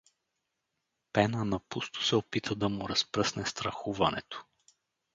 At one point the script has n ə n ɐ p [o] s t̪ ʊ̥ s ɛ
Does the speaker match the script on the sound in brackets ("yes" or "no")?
no